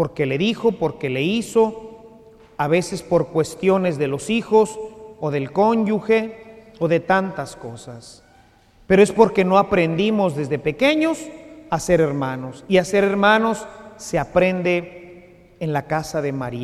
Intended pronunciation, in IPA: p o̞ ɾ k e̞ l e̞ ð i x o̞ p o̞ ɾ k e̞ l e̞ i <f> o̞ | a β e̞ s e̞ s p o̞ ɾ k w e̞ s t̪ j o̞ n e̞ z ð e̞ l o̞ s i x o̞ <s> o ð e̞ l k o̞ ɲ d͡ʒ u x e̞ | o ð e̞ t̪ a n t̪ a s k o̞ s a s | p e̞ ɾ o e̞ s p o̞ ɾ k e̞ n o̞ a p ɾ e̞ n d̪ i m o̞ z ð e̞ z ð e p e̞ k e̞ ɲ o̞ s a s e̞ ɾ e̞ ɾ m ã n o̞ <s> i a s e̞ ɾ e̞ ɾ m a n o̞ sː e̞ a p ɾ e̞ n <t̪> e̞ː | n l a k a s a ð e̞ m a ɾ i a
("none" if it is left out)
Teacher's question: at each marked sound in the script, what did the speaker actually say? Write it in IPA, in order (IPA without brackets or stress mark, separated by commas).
s, s, s, d̪